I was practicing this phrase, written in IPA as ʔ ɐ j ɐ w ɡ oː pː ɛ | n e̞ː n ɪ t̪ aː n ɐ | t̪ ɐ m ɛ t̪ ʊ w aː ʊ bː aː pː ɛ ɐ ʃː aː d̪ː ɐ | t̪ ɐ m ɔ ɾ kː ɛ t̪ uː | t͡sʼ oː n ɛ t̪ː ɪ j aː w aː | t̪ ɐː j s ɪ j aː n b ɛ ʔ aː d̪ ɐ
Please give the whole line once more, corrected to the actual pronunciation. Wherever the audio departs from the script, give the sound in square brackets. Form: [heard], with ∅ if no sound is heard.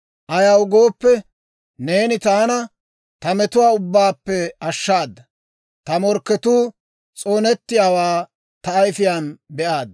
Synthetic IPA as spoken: ʔ ɐ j ɐ w ɡ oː pː ɛ | n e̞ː n ɪ t̪ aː n ɐ | t̪ ɐ m ɛ t̪ ʊ w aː ʊ bː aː pː ɛ ɐ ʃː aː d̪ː ɐ | t̪ ɐ m ɔ ɾ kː ɛ t̪ uː | t͡sʼ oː n ɛ t̪ː ɪ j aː w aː | t̪ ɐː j [f] ɪ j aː n b ɛ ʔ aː d̪ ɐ